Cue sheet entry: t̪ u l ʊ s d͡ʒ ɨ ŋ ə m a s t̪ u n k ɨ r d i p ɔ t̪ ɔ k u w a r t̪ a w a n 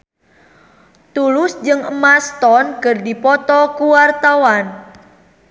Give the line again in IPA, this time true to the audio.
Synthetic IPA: t̪ u l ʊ s d͡ʒ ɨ ŋ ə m a s t̪ ɔ n k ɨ r d i p ɔ t̪ ɔ k u w a r t̪ a w a n

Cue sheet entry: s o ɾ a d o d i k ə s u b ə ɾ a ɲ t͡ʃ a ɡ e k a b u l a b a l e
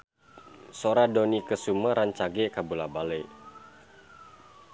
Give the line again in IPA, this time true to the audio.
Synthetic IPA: s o ɾ a d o n i k ə s u m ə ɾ a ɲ t͡ʃ a ɡ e k a b u l a b a l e

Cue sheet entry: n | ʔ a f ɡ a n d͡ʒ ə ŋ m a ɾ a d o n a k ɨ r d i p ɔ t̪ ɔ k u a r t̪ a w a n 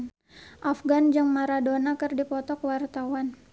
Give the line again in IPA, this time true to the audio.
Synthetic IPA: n | ʔ a f ɡ a n d͡ʒ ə ŋ m a ɾ a d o n a k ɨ r d i p ɔ t̪ ɔ k w a r t̪ a w a n

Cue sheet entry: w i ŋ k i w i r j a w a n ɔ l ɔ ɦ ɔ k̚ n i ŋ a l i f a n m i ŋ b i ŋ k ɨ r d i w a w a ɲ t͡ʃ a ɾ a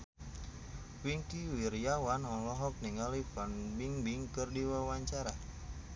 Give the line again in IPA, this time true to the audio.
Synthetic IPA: w i ŋ k i w i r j a w a n ɔ l ɔ ɦ ɔ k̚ n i ŋ a l i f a n b i ŋ b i ŋ k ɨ r d i w a w a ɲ t͡ʃ a ɾ a

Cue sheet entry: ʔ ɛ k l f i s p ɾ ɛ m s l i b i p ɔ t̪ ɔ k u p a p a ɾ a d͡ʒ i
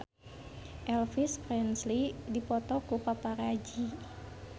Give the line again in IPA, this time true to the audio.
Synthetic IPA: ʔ ɛ l f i s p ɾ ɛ n s l i d i p ɔ t̪ ɔ k u p a p a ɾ a d͡ʒ i

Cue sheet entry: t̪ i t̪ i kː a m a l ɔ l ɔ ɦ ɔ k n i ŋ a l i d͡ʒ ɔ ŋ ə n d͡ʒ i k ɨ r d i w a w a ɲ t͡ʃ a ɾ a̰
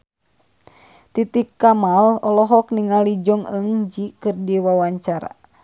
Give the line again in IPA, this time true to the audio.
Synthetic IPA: t̪ i t̪ i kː a m a l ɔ l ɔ ɦ ɔ k n i ŋ a l i d͡ʒ ɔ ŋ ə ŋ d͡ʒ i k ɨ r d i w a w a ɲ t͡ʃ a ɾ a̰

